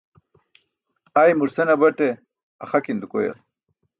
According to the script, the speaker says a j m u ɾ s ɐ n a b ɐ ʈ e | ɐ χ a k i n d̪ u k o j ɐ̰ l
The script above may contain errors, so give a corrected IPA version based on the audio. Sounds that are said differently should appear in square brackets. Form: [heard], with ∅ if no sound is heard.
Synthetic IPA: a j m u ɾ s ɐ n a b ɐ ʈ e | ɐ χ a k i n d̪ u k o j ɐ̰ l